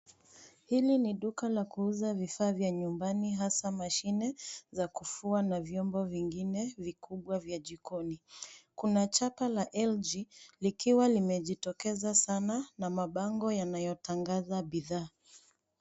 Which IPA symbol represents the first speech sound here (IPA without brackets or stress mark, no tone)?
h